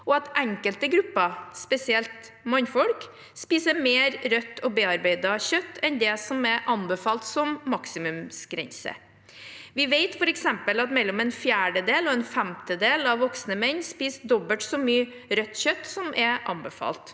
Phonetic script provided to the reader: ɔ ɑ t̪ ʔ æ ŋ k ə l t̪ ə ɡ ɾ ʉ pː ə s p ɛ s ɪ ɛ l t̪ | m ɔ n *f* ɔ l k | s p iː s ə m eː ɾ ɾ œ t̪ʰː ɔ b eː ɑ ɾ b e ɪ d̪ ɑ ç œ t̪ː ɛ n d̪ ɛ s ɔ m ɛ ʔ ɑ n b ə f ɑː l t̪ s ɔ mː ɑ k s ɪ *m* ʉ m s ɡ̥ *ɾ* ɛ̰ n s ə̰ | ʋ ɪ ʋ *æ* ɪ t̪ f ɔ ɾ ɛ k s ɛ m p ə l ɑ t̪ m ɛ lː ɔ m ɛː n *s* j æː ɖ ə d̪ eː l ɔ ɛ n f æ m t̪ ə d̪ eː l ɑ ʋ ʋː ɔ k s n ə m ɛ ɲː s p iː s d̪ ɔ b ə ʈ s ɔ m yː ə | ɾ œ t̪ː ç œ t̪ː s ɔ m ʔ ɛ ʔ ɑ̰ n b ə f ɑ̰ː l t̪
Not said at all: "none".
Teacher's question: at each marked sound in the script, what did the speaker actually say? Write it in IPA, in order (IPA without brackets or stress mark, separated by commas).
f, m, ɾ, e, f